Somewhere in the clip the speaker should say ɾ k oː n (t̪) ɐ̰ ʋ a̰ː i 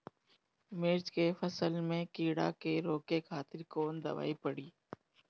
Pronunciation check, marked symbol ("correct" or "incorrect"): incorrect